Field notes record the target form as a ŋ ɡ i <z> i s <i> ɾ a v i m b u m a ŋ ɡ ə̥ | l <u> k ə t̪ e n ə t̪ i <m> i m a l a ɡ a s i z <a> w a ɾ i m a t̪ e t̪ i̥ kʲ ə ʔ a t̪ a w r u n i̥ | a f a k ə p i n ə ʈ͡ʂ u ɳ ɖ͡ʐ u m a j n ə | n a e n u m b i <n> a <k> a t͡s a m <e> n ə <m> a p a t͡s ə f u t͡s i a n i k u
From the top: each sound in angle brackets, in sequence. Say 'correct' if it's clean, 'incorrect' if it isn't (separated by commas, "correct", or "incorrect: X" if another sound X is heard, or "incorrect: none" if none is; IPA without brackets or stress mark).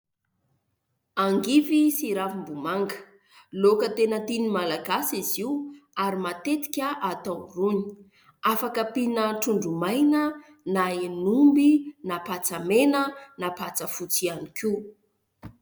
incorrect: v, correct, incorrect: o, incorrect: n, incorrect: i, correct, incorrect: p, correct, incorrect: n